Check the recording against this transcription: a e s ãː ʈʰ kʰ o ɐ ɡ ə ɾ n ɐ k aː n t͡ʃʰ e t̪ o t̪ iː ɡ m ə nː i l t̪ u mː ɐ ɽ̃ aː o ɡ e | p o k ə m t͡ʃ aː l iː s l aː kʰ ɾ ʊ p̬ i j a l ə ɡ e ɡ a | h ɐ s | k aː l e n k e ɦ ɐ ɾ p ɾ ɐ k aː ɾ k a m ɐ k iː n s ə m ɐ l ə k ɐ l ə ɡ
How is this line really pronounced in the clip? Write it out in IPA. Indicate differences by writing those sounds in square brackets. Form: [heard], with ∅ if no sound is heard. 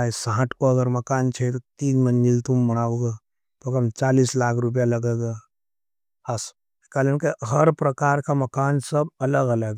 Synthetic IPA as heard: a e s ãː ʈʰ [k] o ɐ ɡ ə ɾ [m] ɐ k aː n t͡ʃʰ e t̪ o t̪ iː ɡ m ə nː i l t̪ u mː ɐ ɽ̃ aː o ɡ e | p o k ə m t͡ʃ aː l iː s l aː kʰ ɾ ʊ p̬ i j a l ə ɡ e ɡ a | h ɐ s | k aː l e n k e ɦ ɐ ɾ p ɾ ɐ k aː ɾ k a m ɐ k [aː] n s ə [b] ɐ l ə [ɡ] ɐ l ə ɡ

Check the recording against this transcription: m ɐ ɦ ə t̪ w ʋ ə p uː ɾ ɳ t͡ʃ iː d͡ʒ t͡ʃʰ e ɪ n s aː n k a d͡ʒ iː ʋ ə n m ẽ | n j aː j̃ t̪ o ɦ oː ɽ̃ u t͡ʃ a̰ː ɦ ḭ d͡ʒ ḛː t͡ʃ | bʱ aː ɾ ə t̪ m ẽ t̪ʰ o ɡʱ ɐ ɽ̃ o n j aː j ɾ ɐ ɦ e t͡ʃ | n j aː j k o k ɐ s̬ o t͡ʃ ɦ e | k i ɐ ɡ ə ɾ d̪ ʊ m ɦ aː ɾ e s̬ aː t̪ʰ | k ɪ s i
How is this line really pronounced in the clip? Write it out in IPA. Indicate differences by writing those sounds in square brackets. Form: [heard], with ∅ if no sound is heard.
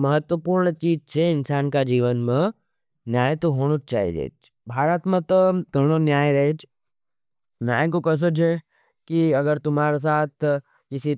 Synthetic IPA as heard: m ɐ ɦ ə t̪ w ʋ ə p uː ɾ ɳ t͡ʃ iː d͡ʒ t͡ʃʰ e ɪ n s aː n k a d͡ʒ iː ʋ ə n m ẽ | n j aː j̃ t̪ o ɦ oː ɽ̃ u t͡ʃ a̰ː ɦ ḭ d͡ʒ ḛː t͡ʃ | bʱ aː ɾ ə t̪ m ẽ [t̪] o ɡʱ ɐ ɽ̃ o n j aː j ɾ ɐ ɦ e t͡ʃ | n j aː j k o k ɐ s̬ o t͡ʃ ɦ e | k i ɐ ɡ ə ɾ [t̪] ʊ m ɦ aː ɾ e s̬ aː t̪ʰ | k ɪ s i

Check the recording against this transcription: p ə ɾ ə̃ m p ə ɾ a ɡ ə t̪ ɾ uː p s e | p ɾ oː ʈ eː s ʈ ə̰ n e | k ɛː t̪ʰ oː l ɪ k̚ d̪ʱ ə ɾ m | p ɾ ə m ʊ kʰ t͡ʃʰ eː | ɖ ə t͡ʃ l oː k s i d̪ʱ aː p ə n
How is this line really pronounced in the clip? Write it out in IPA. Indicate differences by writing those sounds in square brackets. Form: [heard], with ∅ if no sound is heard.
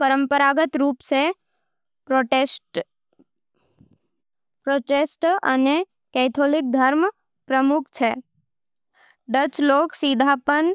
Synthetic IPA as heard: p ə ɾ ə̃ m p ə ɾ a ɡ ə t̪ ɾ uː p s e | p ɾ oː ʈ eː s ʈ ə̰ n e | k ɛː t̪ʰ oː l ɪ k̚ d̪ʱ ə ɾ m | p ɾ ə m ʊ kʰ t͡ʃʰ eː | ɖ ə t͡ʃ l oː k s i d̪ʱ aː p ə n

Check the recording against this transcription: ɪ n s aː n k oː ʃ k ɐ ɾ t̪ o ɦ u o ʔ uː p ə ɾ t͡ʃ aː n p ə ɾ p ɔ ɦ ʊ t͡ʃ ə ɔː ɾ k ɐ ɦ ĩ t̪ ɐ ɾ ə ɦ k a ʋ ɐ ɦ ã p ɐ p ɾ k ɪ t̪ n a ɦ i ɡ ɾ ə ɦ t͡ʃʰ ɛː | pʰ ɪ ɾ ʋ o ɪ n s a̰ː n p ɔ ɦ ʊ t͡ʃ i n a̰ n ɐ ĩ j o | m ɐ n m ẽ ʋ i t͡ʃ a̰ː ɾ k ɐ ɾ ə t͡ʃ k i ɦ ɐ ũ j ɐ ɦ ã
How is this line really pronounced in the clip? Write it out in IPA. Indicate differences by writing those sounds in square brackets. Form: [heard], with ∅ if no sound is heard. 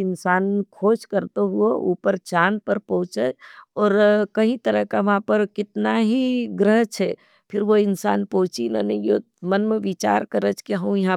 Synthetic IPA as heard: ɪ n s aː n [kʰ] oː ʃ k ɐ ɾ t̪ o ɦ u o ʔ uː p ə ɾ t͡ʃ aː n p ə ɾ p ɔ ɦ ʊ t͡ʃ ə ɔː ɾ k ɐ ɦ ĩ t̪ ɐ ɾ ə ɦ k a ʋ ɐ ɦ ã p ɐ [∅] ɾ k ɪ t̪ n a ɦ i ɡ ɾ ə ɦ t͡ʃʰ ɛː | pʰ ɪ ɾ ʋ o ɪ n s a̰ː n p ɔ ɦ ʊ t͡ʃ i n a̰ n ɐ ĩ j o | m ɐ n m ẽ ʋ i t͡ʃ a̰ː ɾ k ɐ ɾ ə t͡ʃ k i ɦ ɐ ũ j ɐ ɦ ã

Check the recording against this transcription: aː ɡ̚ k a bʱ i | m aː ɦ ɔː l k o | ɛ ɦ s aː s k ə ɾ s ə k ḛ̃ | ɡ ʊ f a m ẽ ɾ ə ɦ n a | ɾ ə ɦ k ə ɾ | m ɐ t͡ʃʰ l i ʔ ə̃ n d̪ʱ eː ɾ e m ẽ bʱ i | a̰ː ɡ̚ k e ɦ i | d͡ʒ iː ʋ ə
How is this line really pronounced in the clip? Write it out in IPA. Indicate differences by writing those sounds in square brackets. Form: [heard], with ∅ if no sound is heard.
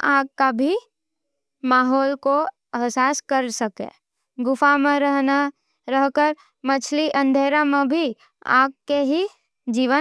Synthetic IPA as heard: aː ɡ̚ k a bʱ i | m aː ɦ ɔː l k o | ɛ ɦ s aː s k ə ɾ s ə k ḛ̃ | ɡ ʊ f a m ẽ ɾ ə ɦ n a | ɾ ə ɦ k ə ɾ | m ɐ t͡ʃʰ l i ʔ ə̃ n d̪ʱ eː ɾ [a] m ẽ bʱ i | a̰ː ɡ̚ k e ɦ i | d͡ʒ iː ʋ ə

